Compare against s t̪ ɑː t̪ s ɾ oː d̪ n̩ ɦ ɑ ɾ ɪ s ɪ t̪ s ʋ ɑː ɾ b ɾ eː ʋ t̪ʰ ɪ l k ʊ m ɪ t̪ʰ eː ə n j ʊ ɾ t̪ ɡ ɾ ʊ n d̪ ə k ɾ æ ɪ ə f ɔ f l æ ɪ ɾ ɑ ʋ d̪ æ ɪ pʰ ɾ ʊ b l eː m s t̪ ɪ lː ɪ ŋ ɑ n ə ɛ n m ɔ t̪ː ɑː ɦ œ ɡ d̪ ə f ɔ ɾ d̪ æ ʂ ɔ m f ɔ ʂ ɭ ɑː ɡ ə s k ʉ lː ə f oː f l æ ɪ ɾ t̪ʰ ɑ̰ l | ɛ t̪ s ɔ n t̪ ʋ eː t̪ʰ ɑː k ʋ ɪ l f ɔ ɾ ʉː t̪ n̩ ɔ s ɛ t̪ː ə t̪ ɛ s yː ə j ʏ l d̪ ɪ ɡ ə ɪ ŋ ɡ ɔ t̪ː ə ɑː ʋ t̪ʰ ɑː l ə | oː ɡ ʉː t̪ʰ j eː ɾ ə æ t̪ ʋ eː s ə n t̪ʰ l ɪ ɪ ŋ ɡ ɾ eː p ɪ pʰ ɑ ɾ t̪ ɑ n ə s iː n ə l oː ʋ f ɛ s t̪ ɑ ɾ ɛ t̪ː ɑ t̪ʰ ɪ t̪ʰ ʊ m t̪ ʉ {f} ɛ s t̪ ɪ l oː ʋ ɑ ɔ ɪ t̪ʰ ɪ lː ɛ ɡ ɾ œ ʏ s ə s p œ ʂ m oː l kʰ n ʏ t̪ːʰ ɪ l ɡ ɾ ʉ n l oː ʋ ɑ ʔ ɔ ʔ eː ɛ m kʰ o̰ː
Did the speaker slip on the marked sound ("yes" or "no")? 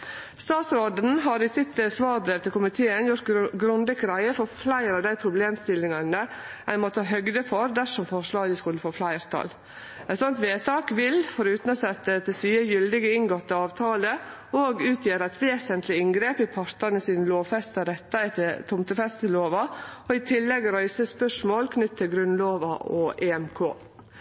no